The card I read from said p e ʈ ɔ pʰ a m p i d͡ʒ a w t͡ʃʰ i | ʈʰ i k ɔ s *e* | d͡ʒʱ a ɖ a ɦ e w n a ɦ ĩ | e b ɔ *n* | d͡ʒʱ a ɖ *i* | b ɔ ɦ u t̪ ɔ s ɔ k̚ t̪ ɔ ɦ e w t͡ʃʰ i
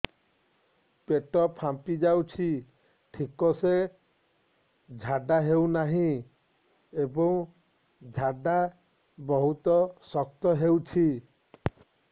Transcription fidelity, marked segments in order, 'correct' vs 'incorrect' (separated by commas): correct, incorrect, incorrect